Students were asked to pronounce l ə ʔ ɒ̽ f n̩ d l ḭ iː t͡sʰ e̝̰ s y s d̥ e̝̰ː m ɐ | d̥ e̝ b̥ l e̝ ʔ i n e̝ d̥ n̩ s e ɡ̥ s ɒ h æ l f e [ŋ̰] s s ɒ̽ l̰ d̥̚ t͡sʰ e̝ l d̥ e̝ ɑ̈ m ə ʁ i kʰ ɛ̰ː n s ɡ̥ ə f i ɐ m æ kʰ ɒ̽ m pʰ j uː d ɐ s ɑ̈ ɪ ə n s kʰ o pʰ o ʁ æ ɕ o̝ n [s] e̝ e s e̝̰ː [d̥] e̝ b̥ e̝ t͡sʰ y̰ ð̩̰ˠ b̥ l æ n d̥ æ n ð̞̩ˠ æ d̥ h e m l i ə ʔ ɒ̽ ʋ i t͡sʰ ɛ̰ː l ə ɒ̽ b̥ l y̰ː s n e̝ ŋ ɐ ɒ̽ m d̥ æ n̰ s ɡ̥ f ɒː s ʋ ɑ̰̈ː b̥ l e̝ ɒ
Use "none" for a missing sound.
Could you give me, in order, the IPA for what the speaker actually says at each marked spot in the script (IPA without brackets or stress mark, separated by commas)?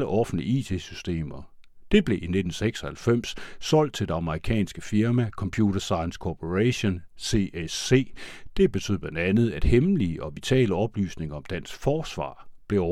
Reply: m̰, s, d̥